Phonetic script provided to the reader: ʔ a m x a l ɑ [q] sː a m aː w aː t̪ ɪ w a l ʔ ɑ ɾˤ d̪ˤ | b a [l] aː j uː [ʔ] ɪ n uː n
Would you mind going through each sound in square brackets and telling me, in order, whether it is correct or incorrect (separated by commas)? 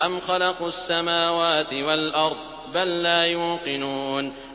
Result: correct, incorrect, incorrect